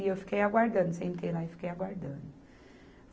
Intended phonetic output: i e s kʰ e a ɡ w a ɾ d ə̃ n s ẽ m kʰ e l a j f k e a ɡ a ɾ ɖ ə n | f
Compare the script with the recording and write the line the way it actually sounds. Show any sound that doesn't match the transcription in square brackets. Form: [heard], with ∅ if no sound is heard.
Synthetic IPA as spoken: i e [f] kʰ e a ɡ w a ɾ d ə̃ n s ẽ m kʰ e l a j f k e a ɡ a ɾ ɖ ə n | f

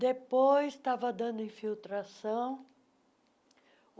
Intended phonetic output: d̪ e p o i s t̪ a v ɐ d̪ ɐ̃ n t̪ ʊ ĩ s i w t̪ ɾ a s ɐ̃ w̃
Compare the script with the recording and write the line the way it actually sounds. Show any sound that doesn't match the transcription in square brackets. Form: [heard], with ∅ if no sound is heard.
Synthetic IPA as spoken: d̪ e p o [j] s t̪ a v ɐ d̪ ɐ̃ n [d̪] ʊ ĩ [f] i w t̪ ɾ a s ɐ̃ w̃

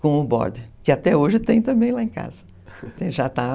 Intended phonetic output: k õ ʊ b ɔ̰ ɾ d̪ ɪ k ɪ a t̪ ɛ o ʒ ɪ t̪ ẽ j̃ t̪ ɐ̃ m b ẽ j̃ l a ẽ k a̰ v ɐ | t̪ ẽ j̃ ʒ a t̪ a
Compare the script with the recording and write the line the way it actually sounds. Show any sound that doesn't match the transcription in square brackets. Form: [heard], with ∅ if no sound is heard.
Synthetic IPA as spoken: k õ ʊ b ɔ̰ ɾ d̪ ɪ k ɪ a t̪ ɛ o ʒ ɪ t̪ ẽ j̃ t̪ ɐ̃ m b ẽ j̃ l a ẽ k a̰ [z] ɐ | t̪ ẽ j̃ ʒ a t̪ a

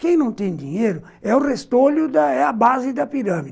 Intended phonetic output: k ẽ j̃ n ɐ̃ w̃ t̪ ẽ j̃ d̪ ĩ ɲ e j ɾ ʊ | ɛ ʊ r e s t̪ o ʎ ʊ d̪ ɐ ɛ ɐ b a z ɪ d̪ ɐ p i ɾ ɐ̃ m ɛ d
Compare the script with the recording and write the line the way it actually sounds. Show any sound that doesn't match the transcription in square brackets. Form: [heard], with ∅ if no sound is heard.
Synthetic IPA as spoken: k ẽ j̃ n ɐ̃ w̃ t̪ ẽ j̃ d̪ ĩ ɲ e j ɾ ʊ | ɛ ʊ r e s t̪ o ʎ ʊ d̪ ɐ ɛ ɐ b a z ɪ d̪ ɐ p i ɾ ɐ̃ m [i] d

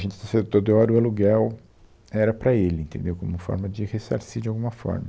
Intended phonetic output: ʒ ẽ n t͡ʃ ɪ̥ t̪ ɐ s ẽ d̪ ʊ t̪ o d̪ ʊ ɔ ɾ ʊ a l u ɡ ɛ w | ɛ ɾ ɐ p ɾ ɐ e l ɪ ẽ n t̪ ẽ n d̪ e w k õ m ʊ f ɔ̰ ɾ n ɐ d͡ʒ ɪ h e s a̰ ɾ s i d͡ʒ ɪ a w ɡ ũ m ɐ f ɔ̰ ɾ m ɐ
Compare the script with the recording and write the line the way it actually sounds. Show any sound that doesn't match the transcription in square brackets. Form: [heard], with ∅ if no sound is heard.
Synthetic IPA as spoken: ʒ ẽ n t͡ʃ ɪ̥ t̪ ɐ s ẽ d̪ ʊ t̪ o d̪ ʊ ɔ ɾ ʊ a l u ɡ ɛ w | ɛ ɾ ɐ p ɾ ɐ e l ɪ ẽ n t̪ ẽ n d̪ e w k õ m ʊ f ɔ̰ ɾ [m] ɐ d͡ʒ ɪ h e s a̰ ɾ s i d͡ʒ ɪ a w ɡ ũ m ɐ f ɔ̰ ɾ m ɐ

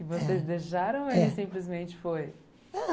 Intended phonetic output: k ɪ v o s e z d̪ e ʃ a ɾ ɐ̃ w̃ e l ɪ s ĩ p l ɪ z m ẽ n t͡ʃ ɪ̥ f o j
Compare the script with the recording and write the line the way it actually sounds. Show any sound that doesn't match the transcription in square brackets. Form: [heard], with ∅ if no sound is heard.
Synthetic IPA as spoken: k ɪ v o s e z d̪ e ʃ a ɾ ɐ̃ w̃ e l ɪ s ĩ p l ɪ z m ẽ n t͡ʃ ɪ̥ f o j

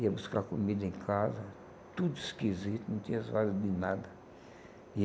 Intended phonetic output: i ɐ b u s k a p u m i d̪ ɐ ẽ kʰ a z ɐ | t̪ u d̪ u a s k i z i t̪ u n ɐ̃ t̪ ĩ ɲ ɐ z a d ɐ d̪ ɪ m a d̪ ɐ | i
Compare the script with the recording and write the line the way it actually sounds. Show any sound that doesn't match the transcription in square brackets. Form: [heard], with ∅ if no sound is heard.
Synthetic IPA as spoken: i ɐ b u s k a [k] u m i d̪ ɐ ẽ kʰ a z ɐ | t̪ u d̪ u [i] s k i z i t̪ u n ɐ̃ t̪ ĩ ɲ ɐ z a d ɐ d̪ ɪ [n] a d̪ ɐ | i

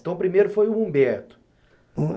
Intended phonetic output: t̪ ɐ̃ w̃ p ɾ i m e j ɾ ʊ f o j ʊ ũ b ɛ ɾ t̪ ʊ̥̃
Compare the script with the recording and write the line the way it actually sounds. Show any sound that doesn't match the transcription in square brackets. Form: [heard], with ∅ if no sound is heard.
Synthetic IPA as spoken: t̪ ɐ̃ w̃ p ɾ i m e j ɾ ʊ f o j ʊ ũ b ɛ ɾ t̪ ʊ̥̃

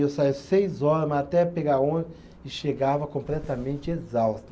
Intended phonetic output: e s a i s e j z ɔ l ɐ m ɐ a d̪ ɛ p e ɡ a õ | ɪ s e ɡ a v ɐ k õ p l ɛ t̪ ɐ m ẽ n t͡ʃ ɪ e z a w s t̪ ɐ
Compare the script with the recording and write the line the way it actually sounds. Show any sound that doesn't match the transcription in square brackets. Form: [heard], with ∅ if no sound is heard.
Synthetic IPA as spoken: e s a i s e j z ɔ [ɾ] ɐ m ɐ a [t̪] ɛ p e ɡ a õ | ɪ [ʃ] e ɡ a v ɐ k õ p l ɛ t̪ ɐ m ẽ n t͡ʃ ɪ e z a w s t̪ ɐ

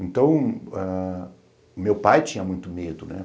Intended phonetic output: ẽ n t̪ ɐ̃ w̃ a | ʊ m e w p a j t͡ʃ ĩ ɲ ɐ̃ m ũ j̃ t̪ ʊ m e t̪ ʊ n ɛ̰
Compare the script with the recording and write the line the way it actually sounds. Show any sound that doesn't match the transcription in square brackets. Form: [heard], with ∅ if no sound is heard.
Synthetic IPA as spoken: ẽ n t̪ ɐ̃ w̃ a | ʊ m e w p a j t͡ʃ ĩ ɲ [ɐ] m ũ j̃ t̪ ʊ m e [d̪] ʊ n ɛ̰

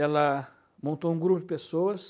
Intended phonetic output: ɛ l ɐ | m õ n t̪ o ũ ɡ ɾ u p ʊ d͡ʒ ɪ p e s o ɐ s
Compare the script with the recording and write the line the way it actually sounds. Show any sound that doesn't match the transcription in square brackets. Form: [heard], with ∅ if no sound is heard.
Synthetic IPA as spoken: ɛ l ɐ | m õ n t̪ o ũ ɡ ɾ u p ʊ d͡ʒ ɪ p e s o ɐ s

